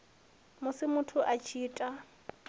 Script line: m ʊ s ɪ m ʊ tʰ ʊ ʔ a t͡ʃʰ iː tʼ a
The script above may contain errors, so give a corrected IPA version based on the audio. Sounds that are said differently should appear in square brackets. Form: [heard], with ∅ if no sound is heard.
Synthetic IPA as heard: m ʊ s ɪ m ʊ tʰ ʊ ʔ a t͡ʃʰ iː tʼ a